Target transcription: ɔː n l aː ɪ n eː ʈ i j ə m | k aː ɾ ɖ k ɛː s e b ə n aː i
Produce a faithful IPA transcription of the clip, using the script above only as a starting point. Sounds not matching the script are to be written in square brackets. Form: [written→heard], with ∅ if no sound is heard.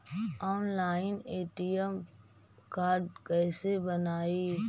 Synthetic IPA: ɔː n l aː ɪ n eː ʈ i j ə m | k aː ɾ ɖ k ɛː s e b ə n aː i